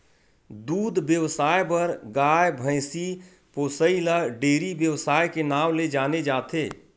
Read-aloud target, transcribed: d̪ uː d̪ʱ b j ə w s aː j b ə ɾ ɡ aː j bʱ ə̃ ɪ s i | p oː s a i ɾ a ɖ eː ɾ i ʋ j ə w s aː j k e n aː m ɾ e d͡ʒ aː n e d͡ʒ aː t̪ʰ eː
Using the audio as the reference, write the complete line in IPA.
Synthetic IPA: d̪ uː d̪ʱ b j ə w s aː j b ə ɾ ɡ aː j bʱ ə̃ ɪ s i | p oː s ə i l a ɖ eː ɾ i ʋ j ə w s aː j k e n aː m l e d͡ʒ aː n e d͡ʒ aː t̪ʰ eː